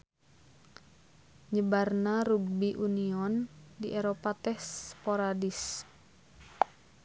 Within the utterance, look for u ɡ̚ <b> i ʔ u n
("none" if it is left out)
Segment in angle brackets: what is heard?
b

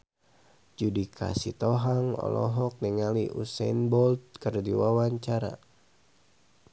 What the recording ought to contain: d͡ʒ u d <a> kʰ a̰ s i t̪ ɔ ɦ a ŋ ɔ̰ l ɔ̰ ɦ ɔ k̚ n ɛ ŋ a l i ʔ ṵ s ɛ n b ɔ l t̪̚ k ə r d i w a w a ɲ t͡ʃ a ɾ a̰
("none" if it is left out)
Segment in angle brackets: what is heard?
i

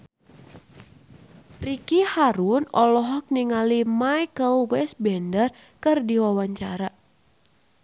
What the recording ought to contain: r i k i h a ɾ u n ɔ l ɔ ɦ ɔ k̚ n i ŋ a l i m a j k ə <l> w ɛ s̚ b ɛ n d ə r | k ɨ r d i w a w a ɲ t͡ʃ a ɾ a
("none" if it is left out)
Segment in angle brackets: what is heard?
l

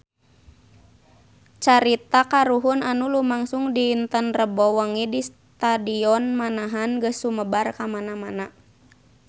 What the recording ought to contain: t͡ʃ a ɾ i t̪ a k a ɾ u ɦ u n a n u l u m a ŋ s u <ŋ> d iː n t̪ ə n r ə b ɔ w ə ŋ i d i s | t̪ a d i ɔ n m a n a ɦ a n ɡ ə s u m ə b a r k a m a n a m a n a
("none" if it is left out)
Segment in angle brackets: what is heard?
ŋ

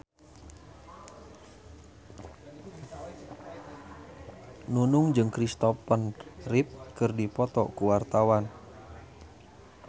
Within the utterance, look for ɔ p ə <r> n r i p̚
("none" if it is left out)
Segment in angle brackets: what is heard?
none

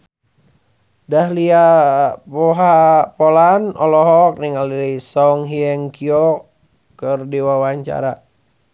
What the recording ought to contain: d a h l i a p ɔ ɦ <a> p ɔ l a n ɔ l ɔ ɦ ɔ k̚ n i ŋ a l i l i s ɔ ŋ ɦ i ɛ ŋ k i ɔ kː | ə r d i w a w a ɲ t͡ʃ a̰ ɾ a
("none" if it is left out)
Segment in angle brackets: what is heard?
a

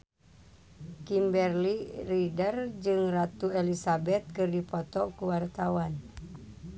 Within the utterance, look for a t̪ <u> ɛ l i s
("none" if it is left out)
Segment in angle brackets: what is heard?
u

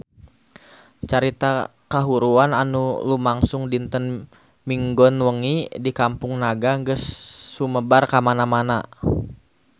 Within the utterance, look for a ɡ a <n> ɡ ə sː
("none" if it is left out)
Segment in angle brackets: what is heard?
ŋ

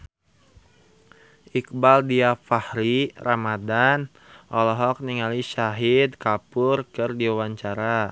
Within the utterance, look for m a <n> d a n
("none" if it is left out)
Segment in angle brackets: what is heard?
none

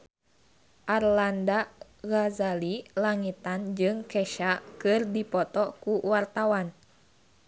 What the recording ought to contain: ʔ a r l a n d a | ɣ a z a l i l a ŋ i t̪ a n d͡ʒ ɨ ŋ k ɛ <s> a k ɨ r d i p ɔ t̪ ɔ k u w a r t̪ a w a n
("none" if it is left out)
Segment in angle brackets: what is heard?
ʃ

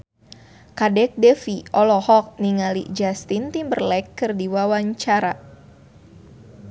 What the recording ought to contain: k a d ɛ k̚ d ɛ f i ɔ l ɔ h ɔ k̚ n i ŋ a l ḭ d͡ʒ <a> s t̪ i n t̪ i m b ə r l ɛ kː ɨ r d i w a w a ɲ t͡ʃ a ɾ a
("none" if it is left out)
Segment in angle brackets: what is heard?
a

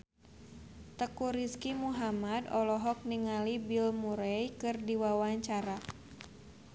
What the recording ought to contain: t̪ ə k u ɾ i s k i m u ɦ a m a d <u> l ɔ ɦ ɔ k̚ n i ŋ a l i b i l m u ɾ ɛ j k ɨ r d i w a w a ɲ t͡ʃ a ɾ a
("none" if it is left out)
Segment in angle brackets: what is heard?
ɔ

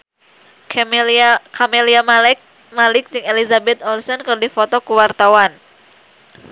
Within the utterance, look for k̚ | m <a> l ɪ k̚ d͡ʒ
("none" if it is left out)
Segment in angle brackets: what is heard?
a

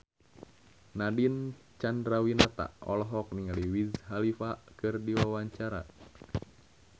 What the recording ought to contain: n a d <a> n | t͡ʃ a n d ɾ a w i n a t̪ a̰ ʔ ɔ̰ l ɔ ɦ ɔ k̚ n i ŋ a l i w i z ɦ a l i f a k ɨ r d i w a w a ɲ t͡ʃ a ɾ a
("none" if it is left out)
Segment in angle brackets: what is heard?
i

